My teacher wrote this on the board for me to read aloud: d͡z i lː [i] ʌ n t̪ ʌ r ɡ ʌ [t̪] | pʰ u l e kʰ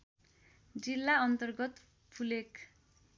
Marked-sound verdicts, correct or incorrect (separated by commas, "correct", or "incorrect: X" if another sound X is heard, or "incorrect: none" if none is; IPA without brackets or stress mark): incorrect: a, correct